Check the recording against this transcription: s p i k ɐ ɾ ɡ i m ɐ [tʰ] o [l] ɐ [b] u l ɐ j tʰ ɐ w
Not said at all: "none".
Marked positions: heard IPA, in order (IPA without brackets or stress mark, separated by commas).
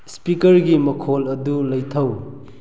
kʰ, l, d